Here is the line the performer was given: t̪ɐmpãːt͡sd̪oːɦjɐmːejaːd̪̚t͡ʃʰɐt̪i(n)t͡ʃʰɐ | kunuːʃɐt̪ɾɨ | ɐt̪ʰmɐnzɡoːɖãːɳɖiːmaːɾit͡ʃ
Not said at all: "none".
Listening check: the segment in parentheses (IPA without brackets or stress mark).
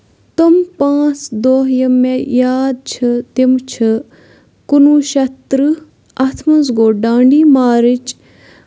m